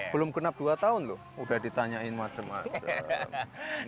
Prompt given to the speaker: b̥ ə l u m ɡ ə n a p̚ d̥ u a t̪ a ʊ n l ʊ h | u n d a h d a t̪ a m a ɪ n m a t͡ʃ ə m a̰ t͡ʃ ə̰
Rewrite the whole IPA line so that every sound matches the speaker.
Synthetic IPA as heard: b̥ ə l ʊ m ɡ ə n a p̚ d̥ u a t̪ a ʊ n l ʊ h | u d a h d i t̪ a ɲ a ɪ n m a t͡ʃ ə m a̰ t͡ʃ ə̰